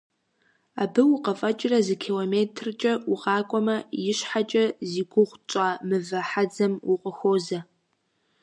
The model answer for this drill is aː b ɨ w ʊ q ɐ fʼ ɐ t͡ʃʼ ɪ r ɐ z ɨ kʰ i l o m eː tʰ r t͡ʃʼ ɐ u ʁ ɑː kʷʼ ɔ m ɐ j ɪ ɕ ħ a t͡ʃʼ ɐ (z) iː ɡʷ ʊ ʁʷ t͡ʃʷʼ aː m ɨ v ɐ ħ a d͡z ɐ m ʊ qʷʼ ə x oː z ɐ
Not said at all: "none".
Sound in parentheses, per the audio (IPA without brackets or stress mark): z